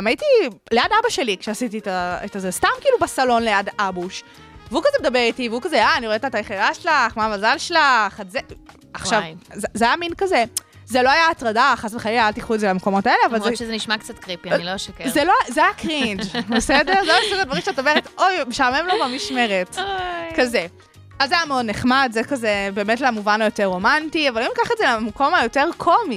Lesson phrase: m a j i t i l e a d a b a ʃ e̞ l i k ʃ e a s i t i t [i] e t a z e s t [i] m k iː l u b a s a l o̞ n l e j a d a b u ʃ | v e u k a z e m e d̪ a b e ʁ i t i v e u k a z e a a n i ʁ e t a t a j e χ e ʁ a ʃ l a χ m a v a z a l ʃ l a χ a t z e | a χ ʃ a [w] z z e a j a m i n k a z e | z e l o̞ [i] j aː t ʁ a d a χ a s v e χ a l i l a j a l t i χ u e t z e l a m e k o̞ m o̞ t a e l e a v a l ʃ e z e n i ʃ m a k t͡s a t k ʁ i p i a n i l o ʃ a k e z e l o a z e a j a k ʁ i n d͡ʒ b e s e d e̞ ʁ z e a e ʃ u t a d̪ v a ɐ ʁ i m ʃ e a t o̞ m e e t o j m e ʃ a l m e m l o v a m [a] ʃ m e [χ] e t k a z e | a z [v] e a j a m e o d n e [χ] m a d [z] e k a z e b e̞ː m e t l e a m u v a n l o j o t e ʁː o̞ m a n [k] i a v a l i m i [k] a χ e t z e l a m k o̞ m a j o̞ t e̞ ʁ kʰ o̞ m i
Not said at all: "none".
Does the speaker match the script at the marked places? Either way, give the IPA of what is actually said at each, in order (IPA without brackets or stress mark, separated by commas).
a, a, v, a, i, ʁ, z, χ, z, t, k